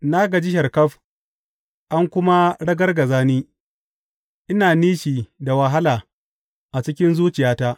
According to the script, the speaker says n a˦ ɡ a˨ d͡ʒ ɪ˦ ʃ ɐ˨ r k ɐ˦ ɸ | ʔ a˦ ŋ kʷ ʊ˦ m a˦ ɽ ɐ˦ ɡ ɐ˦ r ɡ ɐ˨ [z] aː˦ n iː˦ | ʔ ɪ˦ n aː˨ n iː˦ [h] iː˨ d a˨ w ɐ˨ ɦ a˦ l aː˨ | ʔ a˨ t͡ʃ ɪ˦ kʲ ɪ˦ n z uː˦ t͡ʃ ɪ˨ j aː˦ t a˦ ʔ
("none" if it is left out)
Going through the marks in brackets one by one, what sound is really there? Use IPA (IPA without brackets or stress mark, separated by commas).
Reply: z, ʃ